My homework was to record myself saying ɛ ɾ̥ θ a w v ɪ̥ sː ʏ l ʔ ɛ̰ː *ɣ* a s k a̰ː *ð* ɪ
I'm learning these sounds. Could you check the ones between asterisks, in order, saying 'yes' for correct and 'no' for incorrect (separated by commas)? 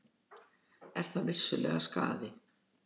yes, yes